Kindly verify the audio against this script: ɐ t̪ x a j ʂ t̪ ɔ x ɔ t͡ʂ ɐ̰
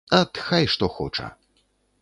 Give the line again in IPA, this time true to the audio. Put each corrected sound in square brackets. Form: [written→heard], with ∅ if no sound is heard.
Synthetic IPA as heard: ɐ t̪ x a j ʂ t̪ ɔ x ɔ t͡ʂ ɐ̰